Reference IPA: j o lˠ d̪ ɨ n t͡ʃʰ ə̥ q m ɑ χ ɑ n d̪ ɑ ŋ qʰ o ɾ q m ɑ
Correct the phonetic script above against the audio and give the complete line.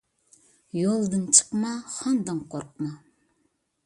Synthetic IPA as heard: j o lˠ d̪ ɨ n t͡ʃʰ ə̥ q m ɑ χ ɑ n d̪ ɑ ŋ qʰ o ɾ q m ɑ